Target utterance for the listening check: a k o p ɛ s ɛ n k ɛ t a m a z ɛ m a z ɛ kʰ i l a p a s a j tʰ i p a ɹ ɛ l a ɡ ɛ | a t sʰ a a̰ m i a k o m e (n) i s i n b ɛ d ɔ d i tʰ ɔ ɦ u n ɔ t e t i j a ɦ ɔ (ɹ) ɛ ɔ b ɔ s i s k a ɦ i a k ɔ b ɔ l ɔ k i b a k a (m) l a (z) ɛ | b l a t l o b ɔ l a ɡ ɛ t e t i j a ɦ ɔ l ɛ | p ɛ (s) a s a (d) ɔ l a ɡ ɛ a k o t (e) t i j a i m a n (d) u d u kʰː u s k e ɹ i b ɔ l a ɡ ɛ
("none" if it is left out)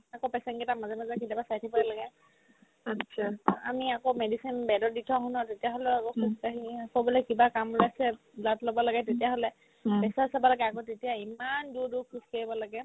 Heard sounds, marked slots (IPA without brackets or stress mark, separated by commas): d, l, m, s, s, b, e, d